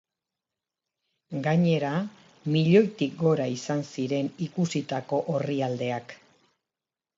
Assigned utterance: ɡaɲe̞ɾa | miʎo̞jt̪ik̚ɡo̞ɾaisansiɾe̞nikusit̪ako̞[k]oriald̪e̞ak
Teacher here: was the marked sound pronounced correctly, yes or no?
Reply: no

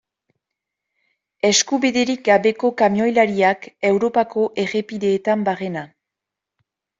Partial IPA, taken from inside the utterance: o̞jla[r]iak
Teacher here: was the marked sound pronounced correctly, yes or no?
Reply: no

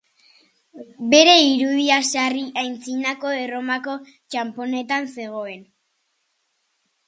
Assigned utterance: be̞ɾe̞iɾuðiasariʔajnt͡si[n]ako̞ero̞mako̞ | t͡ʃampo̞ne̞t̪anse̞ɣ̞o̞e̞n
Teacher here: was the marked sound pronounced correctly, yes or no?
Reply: yes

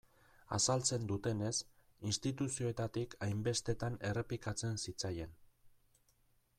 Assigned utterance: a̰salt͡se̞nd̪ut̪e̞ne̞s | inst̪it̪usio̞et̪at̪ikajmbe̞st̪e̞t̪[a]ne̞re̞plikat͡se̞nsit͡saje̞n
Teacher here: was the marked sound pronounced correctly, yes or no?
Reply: yes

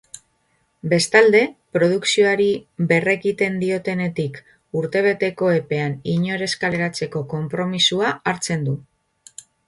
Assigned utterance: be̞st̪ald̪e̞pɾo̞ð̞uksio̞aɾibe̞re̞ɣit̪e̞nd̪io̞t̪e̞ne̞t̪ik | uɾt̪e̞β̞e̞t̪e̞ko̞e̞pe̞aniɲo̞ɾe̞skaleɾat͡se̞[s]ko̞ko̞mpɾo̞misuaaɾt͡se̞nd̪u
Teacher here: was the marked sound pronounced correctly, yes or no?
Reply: no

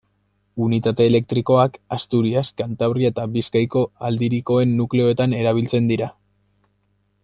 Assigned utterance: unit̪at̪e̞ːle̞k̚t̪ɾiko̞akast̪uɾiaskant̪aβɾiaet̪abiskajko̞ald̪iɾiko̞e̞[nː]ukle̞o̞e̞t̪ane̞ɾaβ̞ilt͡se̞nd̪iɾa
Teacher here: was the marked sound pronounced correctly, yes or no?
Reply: yes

